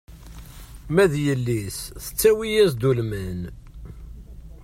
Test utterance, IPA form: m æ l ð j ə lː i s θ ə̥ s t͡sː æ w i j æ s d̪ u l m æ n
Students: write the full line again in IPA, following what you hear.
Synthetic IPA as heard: m æ ð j ə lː i s θ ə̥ t͡sː æ w i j æ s d̪ u l m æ n